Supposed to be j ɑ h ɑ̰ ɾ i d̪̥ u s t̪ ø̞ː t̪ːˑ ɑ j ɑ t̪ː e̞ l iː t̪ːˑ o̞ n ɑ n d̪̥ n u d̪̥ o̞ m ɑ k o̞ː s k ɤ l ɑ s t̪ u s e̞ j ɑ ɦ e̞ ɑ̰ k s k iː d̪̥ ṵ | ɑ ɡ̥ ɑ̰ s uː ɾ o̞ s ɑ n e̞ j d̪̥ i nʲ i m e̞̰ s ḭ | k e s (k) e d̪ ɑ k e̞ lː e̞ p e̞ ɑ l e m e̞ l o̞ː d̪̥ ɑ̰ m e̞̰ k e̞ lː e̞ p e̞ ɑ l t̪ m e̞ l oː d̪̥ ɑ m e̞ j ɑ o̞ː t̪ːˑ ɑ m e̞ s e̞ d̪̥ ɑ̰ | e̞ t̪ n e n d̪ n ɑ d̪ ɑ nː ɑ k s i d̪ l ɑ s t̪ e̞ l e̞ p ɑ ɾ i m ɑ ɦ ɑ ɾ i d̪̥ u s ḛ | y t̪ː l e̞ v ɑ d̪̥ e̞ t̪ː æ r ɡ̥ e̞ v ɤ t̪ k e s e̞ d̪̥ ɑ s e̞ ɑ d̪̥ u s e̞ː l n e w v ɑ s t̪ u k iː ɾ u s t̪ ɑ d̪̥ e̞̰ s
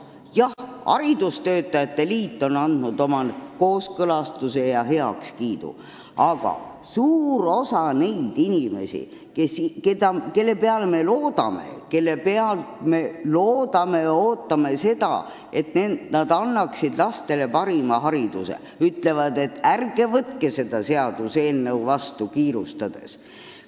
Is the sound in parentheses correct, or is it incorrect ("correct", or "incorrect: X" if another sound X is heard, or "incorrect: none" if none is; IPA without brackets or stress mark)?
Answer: correct